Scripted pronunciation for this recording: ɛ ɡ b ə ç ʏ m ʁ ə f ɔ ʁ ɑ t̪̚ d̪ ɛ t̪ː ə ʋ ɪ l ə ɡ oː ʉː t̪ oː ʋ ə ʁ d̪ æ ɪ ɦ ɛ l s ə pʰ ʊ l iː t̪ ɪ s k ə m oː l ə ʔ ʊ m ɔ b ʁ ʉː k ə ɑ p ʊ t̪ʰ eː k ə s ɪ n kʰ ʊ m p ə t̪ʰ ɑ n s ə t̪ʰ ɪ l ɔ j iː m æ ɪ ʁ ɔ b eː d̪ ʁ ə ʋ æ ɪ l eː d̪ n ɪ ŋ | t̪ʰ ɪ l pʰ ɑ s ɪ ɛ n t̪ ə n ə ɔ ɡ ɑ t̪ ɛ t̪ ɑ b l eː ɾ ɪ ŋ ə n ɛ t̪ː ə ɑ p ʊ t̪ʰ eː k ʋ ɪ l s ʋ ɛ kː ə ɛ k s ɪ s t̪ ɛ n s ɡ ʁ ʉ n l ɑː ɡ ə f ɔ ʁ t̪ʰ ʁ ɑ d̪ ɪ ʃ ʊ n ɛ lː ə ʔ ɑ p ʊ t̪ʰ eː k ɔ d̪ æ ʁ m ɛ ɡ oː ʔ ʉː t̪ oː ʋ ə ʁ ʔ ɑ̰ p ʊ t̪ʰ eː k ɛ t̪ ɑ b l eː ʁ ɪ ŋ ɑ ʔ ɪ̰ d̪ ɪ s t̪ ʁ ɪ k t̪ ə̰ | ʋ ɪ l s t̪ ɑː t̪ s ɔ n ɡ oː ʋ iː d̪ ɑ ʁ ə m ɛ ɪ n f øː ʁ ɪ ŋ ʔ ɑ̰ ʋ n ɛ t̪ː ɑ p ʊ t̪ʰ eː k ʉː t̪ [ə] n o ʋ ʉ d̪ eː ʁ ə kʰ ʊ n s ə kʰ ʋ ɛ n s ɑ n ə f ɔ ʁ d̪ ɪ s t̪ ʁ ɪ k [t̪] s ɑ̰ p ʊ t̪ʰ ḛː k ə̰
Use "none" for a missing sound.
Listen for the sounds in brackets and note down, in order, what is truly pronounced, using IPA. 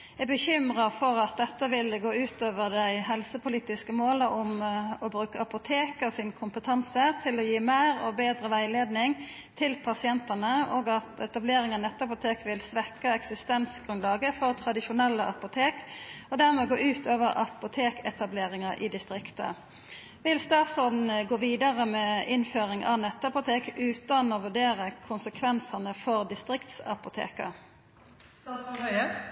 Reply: ɑ, t̪

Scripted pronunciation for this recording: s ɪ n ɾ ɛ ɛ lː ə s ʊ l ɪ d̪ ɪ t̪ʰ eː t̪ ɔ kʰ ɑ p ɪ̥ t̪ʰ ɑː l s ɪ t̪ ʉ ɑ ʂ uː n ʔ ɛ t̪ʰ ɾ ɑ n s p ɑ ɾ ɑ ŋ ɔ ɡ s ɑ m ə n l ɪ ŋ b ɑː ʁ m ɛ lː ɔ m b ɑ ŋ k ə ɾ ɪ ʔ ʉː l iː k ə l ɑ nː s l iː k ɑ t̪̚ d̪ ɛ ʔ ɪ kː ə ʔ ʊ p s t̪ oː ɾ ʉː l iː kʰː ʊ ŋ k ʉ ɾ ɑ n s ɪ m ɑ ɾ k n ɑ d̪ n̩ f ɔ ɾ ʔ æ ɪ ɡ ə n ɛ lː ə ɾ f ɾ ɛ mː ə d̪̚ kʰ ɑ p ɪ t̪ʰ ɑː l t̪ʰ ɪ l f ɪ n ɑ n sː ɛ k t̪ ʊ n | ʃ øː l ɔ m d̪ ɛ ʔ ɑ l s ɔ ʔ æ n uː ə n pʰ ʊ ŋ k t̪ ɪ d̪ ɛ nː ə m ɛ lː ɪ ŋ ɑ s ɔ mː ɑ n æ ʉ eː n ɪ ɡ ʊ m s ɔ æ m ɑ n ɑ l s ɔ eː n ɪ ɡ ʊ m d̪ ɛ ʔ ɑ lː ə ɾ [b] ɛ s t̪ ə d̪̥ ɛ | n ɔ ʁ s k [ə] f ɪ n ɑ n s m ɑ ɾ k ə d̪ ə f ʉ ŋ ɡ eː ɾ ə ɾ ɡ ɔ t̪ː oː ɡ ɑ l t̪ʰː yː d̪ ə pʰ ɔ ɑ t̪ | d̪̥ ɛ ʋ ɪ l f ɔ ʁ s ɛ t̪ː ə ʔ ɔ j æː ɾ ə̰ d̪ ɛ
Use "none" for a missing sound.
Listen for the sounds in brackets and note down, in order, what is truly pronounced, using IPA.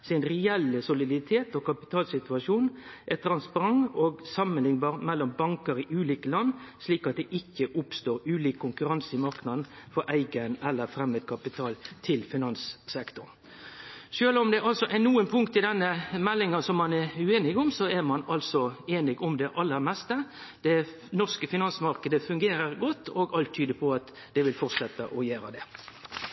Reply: m, ə

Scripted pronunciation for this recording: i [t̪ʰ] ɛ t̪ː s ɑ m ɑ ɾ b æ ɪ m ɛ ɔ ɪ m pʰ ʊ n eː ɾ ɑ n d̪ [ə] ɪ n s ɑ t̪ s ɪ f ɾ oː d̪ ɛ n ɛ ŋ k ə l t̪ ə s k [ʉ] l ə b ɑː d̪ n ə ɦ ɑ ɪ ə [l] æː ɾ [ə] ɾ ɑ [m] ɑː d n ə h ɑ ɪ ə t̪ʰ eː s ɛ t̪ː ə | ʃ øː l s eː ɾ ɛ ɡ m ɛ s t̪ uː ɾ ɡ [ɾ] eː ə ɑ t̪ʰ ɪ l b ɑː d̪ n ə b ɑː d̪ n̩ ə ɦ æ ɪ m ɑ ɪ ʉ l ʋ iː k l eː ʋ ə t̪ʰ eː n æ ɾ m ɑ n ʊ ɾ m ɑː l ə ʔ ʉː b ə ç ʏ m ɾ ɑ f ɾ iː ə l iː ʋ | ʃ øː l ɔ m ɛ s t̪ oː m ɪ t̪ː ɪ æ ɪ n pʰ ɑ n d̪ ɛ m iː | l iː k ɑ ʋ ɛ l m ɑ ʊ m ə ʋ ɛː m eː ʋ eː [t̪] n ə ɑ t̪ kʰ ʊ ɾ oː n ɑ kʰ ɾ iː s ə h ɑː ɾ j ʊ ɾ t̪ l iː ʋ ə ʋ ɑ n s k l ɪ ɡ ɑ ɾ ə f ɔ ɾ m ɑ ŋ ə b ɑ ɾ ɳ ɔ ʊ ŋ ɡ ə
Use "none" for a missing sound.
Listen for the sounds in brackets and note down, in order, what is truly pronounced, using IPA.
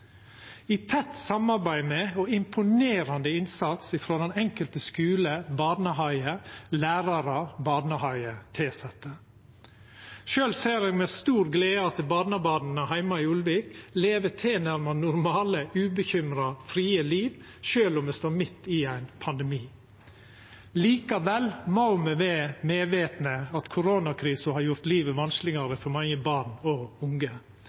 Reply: t̪ʰ, ə, ʉː, l, ɑ, b, l, t̪

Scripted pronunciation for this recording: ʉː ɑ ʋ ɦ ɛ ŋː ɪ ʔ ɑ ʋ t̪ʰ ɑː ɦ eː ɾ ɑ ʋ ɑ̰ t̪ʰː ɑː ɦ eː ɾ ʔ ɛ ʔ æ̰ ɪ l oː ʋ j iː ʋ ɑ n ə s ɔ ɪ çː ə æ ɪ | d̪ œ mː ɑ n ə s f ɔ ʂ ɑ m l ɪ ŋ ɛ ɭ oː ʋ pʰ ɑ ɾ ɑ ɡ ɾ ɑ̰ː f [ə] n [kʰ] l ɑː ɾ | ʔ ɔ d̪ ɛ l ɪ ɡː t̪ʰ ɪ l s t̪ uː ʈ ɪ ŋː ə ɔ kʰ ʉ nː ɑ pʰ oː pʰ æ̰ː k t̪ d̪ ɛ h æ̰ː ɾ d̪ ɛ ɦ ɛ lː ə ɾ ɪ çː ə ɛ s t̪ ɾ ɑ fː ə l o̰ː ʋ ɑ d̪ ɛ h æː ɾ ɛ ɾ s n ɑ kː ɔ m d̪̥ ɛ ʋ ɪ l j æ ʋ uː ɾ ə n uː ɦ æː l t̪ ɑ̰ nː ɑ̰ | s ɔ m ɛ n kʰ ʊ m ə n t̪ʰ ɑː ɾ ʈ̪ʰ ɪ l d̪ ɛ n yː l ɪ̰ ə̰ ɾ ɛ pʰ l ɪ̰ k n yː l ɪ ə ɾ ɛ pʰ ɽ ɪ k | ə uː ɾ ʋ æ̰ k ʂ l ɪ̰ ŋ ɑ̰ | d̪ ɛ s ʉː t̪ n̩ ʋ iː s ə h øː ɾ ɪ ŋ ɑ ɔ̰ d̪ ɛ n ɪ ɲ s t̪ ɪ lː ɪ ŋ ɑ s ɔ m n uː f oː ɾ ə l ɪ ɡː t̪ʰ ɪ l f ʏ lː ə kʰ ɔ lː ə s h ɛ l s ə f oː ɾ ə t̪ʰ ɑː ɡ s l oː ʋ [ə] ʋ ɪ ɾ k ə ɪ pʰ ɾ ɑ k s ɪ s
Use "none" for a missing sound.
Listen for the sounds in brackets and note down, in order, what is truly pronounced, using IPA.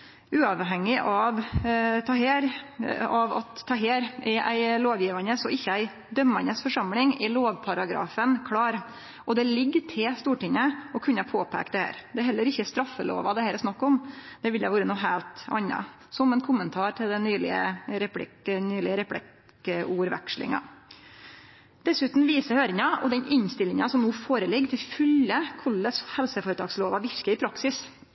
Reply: ə, kʰ, ɑ

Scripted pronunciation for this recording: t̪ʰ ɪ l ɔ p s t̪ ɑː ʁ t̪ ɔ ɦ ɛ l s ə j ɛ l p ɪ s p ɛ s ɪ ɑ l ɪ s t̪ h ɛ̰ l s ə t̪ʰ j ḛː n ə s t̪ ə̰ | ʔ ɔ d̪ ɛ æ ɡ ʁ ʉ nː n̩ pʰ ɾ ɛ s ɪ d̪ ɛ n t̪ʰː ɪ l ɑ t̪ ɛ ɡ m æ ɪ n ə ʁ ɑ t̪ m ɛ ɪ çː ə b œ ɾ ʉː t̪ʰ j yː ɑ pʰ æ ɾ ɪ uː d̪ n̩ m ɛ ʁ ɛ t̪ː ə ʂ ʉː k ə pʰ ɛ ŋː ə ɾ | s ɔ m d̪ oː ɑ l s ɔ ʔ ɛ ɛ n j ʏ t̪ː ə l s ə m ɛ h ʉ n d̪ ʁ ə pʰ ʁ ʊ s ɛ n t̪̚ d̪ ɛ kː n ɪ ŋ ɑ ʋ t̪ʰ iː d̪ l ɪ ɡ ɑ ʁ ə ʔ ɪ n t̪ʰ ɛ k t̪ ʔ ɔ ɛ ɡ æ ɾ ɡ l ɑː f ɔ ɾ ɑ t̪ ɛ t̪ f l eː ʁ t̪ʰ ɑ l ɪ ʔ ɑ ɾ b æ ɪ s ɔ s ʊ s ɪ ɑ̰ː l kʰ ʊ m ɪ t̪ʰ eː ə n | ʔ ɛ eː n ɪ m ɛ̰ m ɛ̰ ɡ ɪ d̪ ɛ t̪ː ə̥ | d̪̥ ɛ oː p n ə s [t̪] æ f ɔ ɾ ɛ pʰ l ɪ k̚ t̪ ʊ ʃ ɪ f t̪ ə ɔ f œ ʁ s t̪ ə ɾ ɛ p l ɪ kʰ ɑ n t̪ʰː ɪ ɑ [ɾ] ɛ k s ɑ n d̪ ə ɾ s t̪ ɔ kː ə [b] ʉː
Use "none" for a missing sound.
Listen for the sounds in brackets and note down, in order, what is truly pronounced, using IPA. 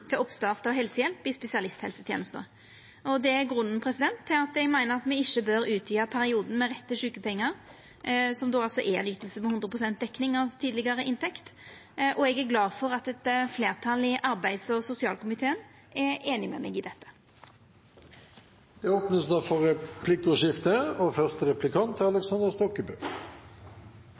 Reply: d̪, l, b

